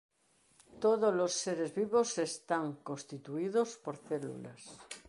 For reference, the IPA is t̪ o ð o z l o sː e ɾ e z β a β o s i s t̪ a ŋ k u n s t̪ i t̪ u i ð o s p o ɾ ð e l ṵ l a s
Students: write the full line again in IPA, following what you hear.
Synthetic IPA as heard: t̪ o ð o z l o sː e ɾ e z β i β o s e s t̪ a ŋ k o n s t̪ i t̪ u i ð o s p o ɾ θ e l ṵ l a s

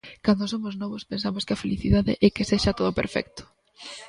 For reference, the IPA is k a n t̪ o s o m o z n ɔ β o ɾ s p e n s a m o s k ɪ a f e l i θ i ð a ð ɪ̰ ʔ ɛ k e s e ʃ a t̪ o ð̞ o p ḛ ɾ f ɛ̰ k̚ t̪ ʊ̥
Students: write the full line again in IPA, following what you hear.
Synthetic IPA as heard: k a n d̪ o s o m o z n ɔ β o s p e n s a m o s k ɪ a f e l i θ i ð a ð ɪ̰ ʔ ɛ k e s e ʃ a t̪ o ð̞ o p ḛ ɾ f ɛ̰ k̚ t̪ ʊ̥

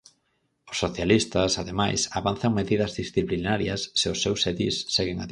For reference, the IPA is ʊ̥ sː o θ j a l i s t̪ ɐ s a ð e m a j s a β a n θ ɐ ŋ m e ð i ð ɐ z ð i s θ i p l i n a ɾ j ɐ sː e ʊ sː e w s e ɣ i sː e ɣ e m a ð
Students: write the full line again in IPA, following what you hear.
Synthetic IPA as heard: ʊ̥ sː o θ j a l i s t̪ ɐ s a ð e m a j s a β a n θ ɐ ŋ m e ð i ð ɐ z ð i s θ i p l i n a ɾ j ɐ sː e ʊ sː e w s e ð i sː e ɣ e ŋ a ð

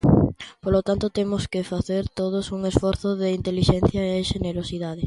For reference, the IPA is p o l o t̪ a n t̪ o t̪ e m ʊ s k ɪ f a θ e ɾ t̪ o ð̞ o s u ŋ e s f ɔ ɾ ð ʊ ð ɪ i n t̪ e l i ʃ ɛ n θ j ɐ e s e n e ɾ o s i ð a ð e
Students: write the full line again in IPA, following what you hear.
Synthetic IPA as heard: p o l o t̪ a n t̪ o t̪ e m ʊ s k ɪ f a θ e ɾ t̪ o ð̞ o s u ŋ e s f ɔ ɾ θ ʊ ð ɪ i n t̪ e l i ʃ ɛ n θ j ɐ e ʃ e n e ɾ o s i ð a ð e

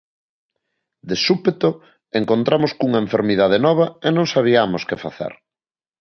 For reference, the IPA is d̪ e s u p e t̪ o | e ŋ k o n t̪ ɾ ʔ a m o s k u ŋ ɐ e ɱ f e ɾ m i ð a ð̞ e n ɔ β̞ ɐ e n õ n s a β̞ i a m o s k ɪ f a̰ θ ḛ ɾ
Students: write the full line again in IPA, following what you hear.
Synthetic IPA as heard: d̪ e s u p e t̪ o | e ŋ k o n t̪ ɾ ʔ a m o s k u ŋ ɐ e ɱ f e ɾ m i ð a ð̞ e n ɔ β̞ ɐ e n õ ŋ s a β̞ i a m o s k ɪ f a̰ θ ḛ ɾ

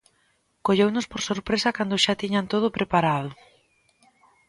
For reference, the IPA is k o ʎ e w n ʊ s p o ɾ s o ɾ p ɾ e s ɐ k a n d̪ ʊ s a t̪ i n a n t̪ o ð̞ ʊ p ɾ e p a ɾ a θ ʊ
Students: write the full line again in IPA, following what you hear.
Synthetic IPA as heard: k o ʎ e w n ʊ s p o ɾ s o ɾ p ɾ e s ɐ k a n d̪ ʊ ʃ a t̪ i ɲ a n t̪ o ð̞ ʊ p ɾ e p a ɾ a ð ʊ

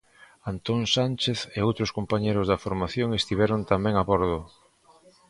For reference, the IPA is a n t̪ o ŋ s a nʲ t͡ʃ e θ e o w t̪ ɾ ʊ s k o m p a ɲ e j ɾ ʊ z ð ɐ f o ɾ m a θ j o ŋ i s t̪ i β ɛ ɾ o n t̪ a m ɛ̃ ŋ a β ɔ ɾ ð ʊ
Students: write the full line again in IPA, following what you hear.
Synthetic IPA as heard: a n t̪ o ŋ s a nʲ t͡ʃ e θ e o w t̪ ɾ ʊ s k o m p a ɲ e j ɾ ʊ z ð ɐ f o ɾ m a θ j o ŋ e s t̪ i β ɛ ɾ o n t̪ a m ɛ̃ ŋ a β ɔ ɾ ð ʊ

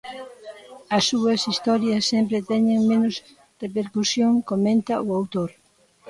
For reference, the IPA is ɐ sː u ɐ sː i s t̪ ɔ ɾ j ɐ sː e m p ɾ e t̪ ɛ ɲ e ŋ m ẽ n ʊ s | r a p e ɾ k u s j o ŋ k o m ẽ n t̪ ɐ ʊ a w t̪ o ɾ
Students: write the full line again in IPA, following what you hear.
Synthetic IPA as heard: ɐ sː u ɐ s i s t̪ ɔ ɾ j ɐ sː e m p ɾ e t̪ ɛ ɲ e ŋ m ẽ n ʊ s | r e p e ɾ k u s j o ŋ k o m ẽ n t̪ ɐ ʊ a w t̪ o ɾ

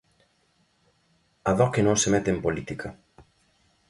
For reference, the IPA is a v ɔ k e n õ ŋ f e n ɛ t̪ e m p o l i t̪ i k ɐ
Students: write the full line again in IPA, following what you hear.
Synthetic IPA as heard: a ð ɔ k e n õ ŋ s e m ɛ t̪ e m p o l i t̪ i k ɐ

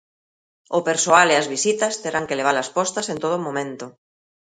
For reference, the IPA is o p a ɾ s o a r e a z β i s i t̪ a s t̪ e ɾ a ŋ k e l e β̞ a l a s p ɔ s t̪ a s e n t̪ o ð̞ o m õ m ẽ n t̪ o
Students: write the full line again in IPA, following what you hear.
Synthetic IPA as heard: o p e ɾ s o a l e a z β i s i t̪ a s t̪ e ɾ a ŋ k e l e β̞ a l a s p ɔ s t̪ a s e n t̪ o ð̞ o m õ m ẽ n t̪ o

